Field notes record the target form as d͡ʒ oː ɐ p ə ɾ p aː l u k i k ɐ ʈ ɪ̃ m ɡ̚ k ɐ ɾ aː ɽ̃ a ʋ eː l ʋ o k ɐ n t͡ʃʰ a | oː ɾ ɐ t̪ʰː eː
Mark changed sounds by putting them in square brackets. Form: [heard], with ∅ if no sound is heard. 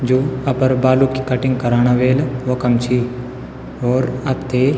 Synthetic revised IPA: d͡ʒ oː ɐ p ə ɾ [b] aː l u k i k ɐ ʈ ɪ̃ [ŋ] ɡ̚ k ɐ ɾ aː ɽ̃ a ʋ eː l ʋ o k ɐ [m] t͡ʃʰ [i] | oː ɾ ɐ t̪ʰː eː